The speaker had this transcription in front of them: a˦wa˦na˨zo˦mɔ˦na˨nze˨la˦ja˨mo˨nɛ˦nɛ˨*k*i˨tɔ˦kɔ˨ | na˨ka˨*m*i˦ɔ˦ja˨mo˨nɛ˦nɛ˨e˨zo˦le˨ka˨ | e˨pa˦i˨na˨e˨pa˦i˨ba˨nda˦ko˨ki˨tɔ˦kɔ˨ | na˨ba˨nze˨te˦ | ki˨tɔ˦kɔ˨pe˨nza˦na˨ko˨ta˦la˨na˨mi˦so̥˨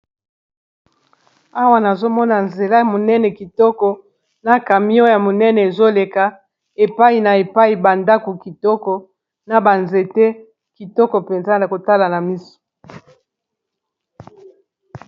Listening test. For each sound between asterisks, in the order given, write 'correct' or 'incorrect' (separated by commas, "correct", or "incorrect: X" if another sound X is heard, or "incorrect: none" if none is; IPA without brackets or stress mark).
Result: correct, correct